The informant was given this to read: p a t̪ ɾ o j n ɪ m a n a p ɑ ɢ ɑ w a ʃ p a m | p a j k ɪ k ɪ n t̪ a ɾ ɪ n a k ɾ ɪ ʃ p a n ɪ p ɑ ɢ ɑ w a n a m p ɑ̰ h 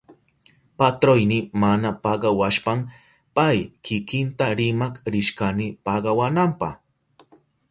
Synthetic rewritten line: p a t̪ ɾ o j n ɪ m a n a p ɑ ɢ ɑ w a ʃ p a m | p a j k ɪ k ɪ n t̪ a ɾ ɪ m a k ɾ ɪ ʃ k a n ɪ p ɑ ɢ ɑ w a n a m p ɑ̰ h